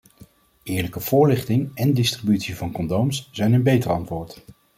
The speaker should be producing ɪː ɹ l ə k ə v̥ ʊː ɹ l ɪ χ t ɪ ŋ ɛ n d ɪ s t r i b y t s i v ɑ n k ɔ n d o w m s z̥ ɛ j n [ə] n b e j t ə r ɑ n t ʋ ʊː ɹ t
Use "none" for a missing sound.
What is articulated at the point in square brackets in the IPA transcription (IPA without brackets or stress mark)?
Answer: ə